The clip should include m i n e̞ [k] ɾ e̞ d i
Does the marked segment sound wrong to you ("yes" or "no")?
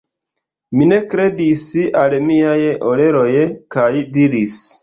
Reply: no